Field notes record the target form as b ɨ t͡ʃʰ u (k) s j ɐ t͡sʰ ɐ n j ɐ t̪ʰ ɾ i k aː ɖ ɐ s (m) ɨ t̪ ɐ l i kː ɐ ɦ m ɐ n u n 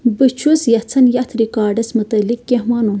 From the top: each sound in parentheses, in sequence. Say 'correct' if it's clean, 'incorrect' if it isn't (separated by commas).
incorrect, correct